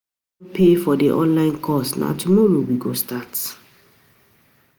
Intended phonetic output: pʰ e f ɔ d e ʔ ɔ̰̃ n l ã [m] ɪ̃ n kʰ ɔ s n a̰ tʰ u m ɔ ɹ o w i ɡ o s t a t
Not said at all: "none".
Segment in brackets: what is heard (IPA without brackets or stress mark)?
none